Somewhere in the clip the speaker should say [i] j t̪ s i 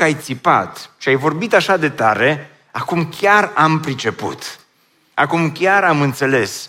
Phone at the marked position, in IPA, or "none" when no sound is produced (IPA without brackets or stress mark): a